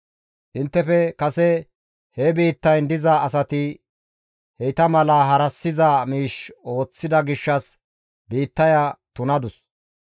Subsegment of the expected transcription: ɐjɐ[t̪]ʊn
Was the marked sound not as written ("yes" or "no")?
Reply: no